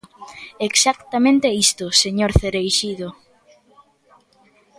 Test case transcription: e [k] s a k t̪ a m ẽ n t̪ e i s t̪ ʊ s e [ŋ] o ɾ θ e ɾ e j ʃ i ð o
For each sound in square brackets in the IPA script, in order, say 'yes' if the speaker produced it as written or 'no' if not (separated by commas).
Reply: yes, no